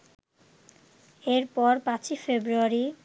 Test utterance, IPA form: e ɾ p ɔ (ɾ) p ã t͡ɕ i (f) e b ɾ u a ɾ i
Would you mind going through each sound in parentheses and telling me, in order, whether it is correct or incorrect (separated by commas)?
correct, correct